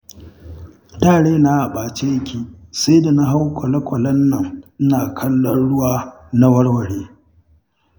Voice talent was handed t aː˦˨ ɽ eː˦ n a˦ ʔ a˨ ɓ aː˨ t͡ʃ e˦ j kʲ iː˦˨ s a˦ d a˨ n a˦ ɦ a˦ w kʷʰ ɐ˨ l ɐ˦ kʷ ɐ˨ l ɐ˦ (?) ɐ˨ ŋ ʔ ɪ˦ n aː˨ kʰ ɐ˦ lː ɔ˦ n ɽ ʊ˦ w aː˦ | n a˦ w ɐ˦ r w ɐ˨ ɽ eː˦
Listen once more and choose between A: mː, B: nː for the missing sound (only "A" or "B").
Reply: B